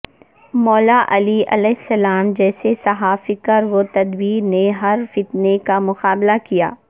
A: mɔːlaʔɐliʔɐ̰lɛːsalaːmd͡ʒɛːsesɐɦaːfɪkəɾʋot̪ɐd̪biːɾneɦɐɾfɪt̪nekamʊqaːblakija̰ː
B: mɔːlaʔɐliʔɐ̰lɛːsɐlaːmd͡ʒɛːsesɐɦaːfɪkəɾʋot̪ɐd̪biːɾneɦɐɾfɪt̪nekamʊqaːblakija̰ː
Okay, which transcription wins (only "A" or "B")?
B